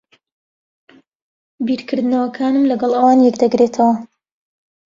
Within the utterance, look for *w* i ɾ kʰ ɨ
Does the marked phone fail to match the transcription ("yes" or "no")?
yes